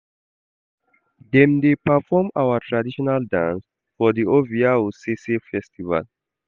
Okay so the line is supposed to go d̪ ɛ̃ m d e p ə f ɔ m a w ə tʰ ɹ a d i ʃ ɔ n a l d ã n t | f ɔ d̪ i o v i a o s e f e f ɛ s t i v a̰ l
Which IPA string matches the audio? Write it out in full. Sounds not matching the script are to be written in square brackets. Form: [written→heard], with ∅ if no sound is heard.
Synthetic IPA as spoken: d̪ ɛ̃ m d e p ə f ɔ m a w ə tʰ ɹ a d i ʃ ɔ n a l d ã n [t→s] | f ɔ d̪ i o v i a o s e [f→s] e f ɛ s t i v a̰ l